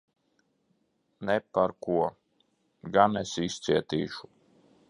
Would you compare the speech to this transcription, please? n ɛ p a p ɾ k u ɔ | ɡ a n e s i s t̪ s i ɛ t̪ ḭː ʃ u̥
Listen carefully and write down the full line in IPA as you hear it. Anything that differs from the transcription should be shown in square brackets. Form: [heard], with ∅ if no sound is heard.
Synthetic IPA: n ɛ p a [∅] ɾ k u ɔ | ɡ a n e s i s t̪ s i ɛ t̪ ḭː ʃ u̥